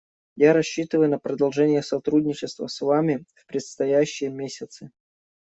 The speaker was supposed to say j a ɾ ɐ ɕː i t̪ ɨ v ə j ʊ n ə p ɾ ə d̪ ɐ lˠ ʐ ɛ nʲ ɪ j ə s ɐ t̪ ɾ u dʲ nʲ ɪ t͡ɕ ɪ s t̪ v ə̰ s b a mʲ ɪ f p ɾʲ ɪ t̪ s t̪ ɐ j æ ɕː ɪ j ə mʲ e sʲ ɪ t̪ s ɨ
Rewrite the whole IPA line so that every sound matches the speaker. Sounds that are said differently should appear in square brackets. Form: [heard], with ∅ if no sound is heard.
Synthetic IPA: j a ɾ ɐ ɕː i t̪ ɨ v ə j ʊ n ə p ɾ ə d̪ ɐ lˠ ʐ ɛ nʲ ɪ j ə s ɐ t̪ ɾ u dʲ nʲ ɪ t͡ɕ ɪ s t̪ v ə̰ s [v] a mʲ ɪ f p ɾʲ ɪ t̪ s t̪ ɐ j æ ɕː ɪ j ə mʲ e sʲ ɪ t̪ s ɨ